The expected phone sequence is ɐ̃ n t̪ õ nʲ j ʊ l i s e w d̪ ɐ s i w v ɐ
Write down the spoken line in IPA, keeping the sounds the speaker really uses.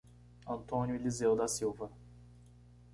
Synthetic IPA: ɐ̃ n t̪ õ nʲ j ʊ l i z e w d̪ ɐ s i w v ɐ